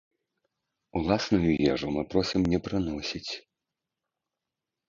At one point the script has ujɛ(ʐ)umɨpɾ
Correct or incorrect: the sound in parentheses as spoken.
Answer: correct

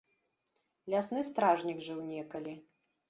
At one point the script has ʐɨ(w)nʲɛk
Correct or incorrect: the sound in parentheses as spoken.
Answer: correct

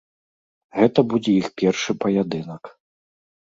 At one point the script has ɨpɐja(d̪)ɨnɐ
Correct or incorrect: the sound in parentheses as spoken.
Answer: correct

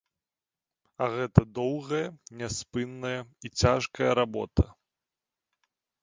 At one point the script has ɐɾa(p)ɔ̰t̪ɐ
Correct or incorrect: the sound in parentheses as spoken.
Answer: incorrect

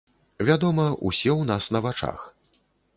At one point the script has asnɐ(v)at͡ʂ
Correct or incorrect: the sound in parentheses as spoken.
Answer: correct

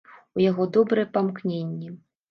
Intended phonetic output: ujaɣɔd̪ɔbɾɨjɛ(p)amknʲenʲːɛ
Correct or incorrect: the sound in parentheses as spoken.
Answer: correct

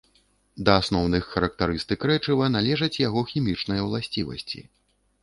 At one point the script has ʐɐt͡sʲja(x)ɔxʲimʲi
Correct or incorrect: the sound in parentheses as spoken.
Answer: incorrect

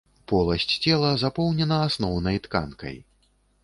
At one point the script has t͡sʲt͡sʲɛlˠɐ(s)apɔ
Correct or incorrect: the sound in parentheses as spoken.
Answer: incorrect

